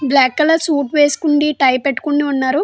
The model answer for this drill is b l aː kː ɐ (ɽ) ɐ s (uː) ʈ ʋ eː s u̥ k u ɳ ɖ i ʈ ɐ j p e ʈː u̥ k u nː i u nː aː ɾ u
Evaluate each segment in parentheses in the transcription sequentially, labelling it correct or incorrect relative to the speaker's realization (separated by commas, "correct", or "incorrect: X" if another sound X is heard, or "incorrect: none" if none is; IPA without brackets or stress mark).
incorrect: l, correct